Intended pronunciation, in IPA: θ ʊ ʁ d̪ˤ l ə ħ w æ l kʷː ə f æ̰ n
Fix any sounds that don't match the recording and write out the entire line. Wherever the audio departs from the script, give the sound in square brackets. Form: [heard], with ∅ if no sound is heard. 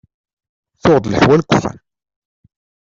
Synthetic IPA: θ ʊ ʁ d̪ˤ l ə ħ w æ l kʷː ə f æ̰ n